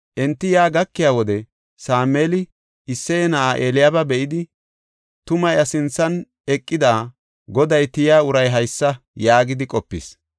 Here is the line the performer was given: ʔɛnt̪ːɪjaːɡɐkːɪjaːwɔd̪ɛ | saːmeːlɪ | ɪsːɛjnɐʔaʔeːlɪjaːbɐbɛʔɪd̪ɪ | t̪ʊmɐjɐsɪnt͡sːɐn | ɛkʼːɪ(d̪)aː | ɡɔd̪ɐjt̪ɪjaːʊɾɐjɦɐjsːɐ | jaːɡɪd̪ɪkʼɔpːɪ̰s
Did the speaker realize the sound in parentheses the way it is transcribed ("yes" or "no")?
yes